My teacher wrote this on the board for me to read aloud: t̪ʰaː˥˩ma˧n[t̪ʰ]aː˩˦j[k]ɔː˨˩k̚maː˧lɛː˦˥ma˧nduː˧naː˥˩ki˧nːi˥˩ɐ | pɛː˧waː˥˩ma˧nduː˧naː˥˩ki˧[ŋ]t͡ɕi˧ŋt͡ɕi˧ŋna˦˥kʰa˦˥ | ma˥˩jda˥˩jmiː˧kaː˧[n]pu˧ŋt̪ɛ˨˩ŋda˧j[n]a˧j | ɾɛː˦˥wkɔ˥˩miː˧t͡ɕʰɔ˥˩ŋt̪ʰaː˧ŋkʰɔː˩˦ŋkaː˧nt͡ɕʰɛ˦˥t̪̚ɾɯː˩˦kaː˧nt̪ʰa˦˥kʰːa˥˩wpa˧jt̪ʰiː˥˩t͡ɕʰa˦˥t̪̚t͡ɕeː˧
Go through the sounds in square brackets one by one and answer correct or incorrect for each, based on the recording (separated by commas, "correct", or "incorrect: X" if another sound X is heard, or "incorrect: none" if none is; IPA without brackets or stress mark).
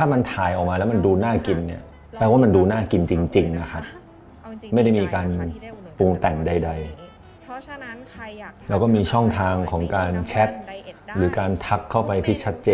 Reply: correct, incorrect: ʔ, incorrect: n, correct, incorrect: d